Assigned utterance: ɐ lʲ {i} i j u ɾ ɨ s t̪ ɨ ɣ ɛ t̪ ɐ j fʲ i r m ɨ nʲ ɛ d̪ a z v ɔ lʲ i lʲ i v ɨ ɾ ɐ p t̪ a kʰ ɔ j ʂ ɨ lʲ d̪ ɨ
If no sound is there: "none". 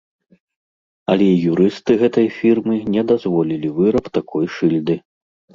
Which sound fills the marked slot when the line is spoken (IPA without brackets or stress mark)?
ɛ